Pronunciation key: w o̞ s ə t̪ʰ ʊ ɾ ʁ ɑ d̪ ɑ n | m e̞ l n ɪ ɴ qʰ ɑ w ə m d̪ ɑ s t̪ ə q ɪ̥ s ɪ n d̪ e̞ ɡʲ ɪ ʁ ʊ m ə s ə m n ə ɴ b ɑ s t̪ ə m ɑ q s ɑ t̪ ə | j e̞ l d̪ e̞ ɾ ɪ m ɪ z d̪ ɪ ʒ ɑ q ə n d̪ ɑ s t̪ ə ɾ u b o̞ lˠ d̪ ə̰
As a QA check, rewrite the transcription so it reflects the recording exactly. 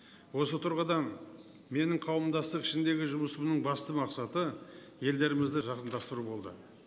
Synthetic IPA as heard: w o̞ s ə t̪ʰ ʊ ɾ ʁ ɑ d̪ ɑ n | m e̞ n ɪ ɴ qʰ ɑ w ə m d̪ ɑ s t̪ ə q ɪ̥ ʃ ɪ n d̪ e̞ ɡʲ ɪ ʒ ʊ m ə s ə m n ə ɴ b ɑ s t̪ ə m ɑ q s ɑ t̪ ə | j e̞ l d̪ e̞ ɾ ɪ m ɪ z d̪ ɪ ʒ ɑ q ə n d̪ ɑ s t̪ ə ɾ u b o̞ lˠ d̪ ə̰